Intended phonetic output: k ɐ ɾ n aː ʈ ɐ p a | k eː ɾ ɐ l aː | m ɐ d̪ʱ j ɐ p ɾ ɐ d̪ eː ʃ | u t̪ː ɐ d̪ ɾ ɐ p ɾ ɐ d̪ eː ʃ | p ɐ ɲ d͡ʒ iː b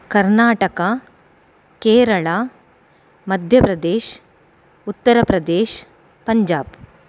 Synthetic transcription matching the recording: k ɐ ɾ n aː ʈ ɐ k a | k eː ɾ ɐ ɭ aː | m ɐ d̪ʱ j ɐ p ɾ ɐ d̪ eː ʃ | u t̪ː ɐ ɾ ɐ p ɾ ɐ d̪ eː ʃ | p ɐ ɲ d͡ʒ aː b

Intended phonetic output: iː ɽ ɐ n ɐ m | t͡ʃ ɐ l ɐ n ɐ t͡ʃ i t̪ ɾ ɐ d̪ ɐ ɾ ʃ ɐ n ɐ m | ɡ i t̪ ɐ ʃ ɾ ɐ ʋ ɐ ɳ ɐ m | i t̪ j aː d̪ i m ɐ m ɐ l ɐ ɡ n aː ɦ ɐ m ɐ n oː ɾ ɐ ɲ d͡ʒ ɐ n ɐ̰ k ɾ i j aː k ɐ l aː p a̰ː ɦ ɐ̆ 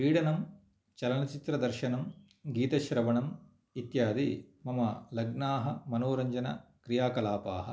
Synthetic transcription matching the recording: iː ɽ ɐ n ɐ m | t͡ʃ ɐ l ɐ n ɐ t͡ʃ i t̪ ɾ ɐ d̪ ɐ ɾ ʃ ɐ n ɐ m | ɡ iː t̪ ɐ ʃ ɾ ɐ ʋ ɐ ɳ ɐ m | i t̪ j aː d̪ i m ɐ m ɐ l ɐ ɡ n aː ɦ ɐ m ɐ n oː ɾ ɐ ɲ d͡ʒ ɐ n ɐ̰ k ɾ i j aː k ɐ l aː p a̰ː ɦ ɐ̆

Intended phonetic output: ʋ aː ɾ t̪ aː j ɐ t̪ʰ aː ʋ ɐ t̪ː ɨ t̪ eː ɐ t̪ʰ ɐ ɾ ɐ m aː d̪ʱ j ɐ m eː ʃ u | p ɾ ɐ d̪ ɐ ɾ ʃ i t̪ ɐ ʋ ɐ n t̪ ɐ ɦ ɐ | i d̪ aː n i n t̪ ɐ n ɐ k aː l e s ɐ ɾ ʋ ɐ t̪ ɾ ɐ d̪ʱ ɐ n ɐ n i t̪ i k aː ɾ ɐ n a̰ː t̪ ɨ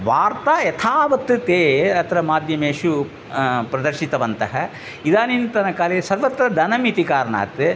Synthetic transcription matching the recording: ʋ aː ɾ t̪ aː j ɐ t̪ʰ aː ʋ ɐ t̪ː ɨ t̪ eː ɐ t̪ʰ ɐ ɾ ɐ m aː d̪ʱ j ɐ m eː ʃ u | p ɾ ɐ d̪ ɐ ɾ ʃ i t̪ ɐ ʋ ɐ n t̪ ɐ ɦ ɐ | i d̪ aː n i n t̪ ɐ n ɐ k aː l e s ɐ ɾ ʋ ɐ t̪ ɾ ɐ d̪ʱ ɐ n ɐ m i t̪ i k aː ɾ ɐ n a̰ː t̪ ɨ

